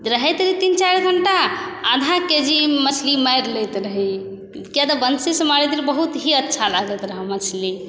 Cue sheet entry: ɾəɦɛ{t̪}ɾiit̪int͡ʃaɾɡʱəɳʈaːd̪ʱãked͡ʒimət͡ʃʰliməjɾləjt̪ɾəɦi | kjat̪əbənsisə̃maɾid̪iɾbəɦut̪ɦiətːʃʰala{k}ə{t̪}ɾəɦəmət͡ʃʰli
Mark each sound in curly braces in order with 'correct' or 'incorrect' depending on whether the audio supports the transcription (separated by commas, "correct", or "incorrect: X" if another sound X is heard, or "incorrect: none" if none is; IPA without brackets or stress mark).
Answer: correct, incorrect: ɡ, correct